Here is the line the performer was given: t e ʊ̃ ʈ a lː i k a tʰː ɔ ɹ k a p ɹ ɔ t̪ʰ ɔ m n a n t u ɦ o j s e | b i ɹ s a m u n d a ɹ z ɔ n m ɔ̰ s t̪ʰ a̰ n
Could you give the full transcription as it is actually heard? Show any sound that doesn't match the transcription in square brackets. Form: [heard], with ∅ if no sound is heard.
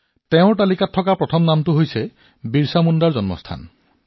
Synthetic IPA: t e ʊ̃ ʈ a [l] i k a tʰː ɔ [∅] k a p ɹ ɔ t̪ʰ ɔ m n a [m] t u ɦ o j s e | b i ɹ s a m u n d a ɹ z ɔ n m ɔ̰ s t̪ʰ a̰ n